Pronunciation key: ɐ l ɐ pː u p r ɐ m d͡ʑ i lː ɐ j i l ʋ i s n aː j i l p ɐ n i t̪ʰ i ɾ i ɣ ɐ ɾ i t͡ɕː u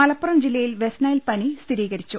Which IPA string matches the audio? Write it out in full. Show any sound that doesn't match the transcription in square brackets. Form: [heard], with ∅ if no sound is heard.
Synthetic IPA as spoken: ɐ l ɐ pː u [∅] r ɐ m d͡ʑ i lː ɐ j i l ʋ [e] s n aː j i l p ɐ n i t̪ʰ i ɾ [iː] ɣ ɐ ɾ i t͡ɕː u